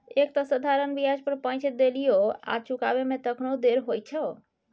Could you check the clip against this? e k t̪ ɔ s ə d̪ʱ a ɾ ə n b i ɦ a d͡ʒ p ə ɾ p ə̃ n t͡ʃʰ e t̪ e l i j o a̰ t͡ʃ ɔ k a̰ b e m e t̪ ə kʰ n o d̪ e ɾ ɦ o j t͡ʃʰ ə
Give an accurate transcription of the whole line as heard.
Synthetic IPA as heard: e k t̪ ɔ s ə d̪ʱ a ɾ ə n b i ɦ a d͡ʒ p ə ɾ p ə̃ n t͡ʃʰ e d̪ e l i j o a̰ t͡ʃ u k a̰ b e m e t̪ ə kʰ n o d̪ e ɾ ɦ o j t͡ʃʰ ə